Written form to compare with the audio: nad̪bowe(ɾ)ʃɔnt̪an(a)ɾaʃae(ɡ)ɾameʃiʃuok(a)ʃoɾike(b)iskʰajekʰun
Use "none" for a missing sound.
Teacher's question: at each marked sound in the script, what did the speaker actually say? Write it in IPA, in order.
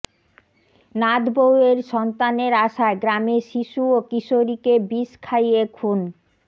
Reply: ɾ, e, ɡ, i, b

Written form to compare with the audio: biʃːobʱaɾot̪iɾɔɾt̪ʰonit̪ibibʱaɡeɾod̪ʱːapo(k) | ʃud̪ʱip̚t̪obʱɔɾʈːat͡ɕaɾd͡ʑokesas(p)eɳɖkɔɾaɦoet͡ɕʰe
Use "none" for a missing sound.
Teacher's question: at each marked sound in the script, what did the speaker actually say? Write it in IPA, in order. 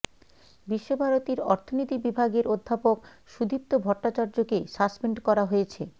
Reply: k, p

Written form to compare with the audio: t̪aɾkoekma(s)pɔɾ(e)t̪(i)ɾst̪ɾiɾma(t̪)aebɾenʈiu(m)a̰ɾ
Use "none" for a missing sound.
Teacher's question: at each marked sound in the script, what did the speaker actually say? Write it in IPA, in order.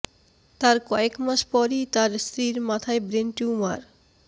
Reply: ʃ, i, a, t̪ʰ, m

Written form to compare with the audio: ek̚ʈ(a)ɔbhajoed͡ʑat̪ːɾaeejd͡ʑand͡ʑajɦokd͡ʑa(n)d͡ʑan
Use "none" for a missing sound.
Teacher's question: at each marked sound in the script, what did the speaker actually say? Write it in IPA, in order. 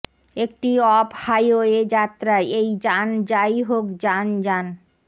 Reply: i, n

